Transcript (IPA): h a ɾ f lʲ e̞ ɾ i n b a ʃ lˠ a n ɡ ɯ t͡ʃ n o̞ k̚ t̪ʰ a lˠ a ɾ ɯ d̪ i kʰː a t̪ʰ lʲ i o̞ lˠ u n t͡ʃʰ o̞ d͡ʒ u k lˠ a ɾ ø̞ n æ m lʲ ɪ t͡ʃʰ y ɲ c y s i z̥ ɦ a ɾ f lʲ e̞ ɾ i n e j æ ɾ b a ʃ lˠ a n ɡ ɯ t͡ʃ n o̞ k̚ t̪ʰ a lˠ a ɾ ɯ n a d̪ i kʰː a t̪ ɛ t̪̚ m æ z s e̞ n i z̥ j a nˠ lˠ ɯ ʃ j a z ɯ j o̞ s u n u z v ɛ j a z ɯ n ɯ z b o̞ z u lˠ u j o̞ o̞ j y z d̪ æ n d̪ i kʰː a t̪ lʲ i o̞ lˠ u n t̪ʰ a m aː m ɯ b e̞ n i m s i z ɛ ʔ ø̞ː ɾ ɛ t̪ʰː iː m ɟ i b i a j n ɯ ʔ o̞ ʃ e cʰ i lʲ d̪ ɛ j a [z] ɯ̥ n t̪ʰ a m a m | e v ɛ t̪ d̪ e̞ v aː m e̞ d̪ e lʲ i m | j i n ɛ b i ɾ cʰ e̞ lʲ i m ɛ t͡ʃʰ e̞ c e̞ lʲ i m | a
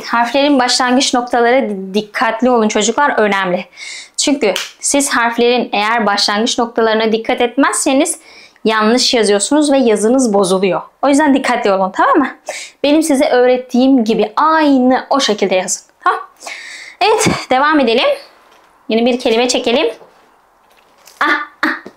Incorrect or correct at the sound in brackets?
correct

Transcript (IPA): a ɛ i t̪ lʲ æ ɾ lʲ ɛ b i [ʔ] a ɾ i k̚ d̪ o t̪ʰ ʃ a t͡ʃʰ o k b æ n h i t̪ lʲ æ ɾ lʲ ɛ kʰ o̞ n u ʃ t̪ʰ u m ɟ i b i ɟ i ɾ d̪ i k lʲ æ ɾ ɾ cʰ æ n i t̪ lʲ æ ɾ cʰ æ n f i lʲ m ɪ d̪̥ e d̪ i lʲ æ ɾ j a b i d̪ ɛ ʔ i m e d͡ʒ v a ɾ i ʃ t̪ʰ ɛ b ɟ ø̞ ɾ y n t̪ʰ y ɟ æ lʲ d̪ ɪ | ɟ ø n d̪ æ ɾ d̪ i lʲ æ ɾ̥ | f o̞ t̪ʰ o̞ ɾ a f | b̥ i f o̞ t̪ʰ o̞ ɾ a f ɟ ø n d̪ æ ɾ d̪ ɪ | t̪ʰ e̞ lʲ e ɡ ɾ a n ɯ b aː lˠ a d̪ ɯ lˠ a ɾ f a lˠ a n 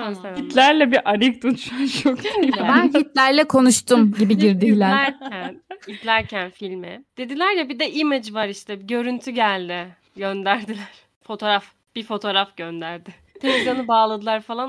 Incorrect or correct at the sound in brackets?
correct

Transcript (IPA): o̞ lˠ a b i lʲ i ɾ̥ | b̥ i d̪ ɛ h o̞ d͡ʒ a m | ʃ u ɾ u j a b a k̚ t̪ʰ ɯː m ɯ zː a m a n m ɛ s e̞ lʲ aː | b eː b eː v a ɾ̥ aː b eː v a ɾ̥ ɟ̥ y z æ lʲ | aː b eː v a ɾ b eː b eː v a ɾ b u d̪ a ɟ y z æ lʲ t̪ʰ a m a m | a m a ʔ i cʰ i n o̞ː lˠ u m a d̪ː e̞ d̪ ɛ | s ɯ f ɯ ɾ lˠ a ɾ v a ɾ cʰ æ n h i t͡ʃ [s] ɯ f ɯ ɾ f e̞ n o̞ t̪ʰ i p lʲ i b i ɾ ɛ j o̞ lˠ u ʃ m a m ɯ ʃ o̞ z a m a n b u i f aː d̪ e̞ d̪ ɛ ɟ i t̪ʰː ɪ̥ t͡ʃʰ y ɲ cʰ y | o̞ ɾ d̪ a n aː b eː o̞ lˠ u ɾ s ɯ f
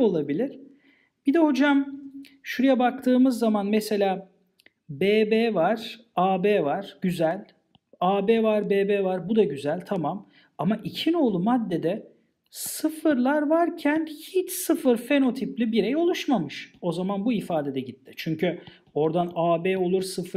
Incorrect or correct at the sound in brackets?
correct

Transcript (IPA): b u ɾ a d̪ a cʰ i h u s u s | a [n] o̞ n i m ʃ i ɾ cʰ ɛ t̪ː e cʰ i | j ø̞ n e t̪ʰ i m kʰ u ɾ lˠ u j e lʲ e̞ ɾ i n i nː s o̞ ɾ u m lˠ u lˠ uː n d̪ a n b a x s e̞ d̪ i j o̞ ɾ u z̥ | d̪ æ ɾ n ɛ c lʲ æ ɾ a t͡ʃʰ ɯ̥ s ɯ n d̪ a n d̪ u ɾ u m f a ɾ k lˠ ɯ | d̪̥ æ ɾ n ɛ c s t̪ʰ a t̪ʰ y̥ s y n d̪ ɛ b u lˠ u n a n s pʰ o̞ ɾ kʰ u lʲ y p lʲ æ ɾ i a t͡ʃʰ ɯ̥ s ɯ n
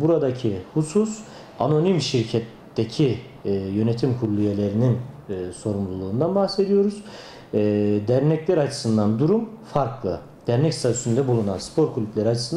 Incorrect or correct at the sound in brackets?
correct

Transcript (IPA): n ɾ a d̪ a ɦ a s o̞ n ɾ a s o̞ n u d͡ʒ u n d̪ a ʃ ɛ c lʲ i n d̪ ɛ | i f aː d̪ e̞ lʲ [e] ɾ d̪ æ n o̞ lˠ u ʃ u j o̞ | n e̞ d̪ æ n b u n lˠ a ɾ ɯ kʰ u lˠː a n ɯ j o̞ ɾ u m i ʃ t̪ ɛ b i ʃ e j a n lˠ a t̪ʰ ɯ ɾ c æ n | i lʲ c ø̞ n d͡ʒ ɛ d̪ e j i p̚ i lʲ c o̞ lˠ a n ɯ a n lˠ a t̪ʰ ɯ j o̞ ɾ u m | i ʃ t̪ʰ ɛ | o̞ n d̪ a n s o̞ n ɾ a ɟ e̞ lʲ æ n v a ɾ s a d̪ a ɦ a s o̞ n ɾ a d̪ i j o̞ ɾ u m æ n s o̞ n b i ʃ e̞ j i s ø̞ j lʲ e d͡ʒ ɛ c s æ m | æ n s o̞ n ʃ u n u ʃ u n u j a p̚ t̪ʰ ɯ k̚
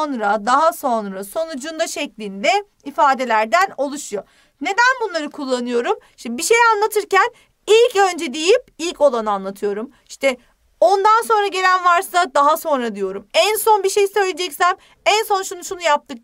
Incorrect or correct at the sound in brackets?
incorrect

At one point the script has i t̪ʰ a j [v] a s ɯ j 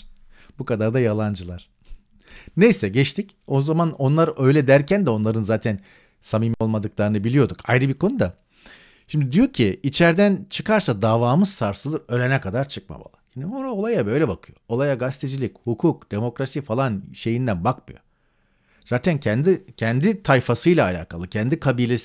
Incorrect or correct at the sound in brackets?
incorrect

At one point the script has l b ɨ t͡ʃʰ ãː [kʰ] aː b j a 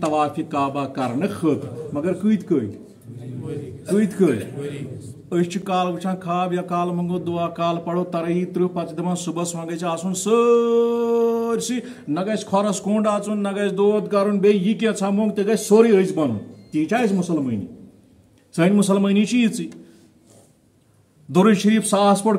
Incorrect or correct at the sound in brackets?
correct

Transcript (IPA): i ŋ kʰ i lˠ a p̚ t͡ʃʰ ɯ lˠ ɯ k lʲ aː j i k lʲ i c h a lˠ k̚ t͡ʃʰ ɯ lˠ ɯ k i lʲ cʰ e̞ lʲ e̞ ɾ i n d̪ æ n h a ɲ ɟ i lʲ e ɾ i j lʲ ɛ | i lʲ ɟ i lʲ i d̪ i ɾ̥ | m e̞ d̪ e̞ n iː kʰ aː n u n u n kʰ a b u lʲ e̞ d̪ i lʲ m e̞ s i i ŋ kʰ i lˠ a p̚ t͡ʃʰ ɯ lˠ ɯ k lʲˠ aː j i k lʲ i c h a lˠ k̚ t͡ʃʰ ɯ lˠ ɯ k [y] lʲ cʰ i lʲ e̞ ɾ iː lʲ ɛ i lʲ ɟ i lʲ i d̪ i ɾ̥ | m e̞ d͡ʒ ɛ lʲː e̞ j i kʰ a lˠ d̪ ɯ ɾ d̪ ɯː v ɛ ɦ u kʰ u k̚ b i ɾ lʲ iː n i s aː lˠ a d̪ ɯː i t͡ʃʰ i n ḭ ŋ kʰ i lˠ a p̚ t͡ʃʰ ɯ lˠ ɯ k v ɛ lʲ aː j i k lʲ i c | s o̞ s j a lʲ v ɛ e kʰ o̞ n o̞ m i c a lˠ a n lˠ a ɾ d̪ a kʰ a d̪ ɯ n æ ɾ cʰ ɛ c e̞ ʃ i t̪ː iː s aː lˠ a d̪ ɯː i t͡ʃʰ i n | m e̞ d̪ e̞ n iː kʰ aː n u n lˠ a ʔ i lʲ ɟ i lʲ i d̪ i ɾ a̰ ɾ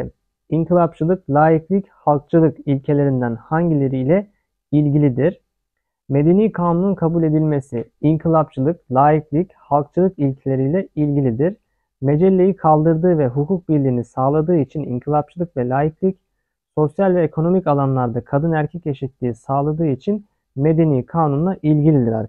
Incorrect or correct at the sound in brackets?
incorrect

